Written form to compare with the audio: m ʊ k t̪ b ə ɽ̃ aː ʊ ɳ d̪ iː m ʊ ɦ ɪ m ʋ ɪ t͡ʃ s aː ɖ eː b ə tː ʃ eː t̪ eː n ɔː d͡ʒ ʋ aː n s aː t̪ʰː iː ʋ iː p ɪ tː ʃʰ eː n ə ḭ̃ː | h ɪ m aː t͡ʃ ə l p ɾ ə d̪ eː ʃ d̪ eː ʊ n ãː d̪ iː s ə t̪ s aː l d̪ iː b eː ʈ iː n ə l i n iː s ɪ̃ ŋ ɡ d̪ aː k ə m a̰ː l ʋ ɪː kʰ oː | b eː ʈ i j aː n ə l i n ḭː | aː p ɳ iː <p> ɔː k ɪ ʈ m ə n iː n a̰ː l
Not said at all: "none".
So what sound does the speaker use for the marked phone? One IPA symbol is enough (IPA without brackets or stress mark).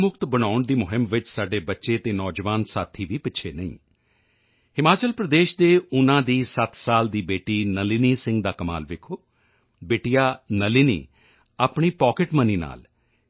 p